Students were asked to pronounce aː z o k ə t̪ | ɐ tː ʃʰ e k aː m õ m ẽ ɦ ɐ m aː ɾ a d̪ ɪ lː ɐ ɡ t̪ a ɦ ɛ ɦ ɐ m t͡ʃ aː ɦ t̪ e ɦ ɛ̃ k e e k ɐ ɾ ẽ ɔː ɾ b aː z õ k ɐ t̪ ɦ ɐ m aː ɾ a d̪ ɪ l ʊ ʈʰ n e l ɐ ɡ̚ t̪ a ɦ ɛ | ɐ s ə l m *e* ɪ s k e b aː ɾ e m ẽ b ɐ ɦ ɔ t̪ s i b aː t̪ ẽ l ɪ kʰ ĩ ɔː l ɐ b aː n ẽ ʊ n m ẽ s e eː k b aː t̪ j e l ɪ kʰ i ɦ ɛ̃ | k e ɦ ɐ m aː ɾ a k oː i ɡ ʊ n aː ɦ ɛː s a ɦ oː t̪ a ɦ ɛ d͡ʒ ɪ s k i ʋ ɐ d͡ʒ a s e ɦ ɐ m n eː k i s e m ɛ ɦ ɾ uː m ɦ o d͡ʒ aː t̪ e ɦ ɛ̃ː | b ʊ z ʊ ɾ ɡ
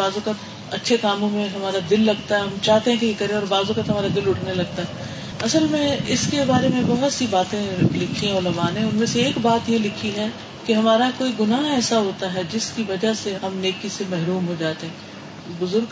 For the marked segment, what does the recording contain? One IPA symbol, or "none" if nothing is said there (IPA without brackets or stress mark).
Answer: ẽ